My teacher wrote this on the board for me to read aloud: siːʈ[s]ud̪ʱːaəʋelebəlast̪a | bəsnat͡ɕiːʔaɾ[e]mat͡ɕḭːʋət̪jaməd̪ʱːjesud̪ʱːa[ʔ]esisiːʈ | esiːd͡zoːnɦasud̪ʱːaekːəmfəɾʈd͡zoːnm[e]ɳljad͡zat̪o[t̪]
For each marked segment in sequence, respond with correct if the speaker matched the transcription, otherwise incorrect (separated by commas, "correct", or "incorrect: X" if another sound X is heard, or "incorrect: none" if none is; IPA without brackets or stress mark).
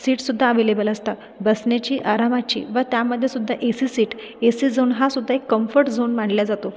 correct, incorrect: a, correct, incorrect: a, incorrect: none